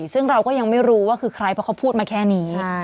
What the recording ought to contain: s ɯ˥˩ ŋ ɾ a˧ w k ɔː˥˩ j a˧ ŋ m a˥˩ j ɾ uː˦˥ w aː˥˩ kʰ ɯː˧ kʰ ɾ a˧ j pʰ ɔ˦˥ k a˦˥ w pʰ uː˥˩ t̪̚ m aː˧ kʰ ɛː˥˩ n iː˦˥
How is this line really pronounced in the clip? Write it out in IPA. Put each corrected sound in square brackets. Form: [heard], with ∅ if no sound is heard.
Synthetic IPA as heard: s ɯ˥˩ ŋ ɾ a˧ w k ɔː˥˩ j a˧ ŋ m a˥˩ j ɾ uː˦˥ w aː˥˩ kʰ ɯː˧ kʰ ɾ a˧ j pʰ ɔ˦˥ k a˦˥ w pʰ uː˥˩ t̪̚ m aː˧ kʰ ɛː˥˩ n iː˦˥